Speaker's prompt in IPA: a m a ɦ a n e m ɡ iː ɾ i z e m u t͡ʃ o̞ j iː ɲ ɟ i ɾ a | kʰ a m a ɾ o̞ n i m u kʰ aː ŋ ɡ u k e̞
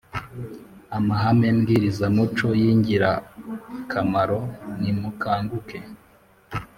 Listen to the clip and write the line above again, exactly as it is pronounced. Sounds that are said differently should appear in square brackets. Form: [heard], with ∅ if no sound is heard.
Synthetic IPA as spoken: a m a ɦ a [m] e m ɡ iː ɾ i z [a] m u t͡ʃ o̞ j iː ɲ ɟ i ɾ a | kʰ a m a ɾ o̞ n i m u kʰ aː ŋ ɡ u k e̞